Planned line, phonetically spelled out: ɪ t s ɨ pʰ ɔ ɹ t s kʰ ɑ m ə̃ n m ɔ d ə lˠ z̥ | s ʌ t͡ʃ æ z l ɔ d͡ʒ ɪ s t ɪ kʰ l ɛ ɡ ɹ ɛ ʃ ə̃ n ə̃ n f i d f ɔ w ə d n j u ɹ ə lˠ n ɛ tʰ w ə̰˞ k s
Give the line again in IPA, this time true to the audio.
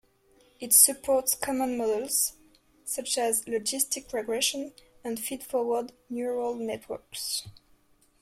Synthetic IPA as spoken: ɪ t s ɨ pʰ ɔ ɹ t s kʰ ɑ m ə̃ n m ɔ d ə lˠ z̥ | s ʌ t͡ʃ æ z l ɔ d͡ʒ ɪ s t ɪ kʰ ɹ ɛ ɡ ɹ ɛ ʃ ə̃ n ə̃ n f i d f ɔ w ə d n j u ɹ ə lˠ n ɛ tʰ w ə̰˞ k s